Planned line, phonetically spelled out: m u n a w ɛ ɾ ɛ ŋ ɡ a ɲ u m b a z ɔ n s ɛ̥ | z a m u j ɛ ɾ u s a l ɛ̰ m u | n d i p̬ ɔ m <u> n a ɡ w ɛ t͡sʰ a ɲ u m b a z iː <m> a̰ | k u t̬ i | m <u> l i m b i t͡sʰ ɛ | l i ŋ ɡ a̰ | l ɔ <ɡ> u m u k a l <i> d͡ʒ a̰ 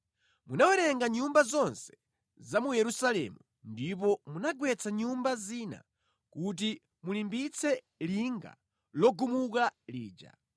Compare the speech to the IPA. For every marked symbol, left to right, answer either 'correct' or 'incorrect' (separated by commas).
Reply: correct, incorrect, correct, correct, incorrect